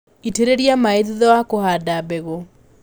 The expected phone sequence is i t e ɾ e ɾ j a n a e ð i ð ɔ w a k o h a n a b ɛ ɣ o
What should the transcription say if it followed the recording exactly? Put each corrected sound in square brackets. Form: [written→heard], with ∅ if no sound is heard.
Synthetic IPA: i t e ɾ e ɾ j a [n→m] a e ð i ð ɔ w a k o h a [n→d] a b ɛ ɣ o